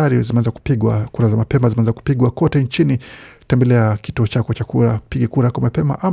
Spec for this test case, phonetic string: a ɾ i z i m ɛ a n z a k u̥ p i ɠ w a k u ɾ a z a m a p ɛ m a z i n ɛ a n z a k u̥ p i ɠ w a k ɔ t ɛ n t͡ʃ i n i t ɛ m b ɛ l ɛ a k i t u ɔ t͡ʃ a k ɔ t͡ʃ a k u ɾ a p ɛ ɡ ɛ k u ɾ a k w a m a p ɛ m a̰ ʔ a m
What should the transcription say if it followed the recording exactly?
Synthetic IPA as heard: a ɾ i z i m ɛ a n z a k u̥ p i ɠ w a k u ɾ a z a m a p ɛ m a z i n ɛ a n z a k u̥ p i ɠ w a k ɔ t ɛ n t͡ʃ i n i t ɛ m b ɛ l ɛ a k i t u ɔ t͡ʃ a k ɔ t͡ʃ a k u ɾ a p i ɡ ɛ k u ɾ a k w a m a p ɛ m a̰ ʔ a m